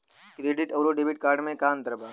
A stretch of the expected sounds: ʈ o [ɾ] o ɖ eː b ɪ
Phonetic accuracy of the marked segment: correct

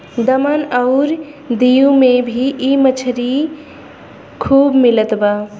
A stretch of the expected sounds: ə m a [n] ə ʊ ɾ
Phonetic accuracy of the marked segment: correct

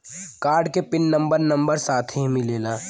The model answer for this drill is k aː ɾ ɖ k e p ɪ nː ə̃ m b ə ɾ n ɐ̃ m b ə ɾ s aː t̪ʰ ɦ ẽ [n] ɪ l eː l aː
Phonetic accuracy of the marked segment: incorrect: m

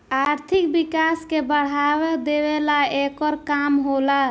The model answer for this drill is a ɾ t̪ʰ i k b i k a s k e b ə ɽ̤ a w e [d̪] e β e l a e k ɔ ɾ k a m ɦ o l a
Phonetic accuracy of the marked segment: correct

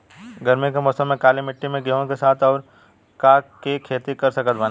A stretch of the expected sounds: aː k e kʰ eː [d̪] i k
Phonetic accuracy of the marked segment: incorrect: t̪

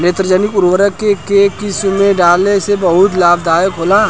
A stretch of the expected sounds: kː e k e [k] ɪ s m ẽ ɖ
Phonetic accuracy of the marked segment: correct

